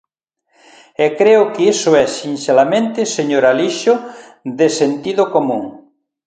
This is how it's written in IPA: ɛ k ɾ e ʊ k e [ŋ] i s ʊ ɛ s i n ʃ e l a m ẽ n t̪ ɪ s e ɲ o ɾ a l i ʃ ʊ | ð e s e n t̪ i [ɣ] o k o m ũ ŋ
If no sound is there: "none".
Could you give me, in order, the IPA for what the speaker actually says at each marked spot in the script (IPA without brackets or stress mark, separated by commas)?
none, ð